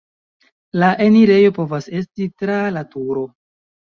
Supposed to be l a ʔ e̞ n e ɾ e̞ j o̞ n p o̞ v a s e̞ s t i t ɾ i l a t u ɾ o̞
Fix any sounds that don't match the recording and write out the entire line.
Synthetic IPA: l a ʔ e̞ n i ɾ e̞ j o̞ p o̞ v a s e̞ s t i t ɾ a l a t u ɾ o̞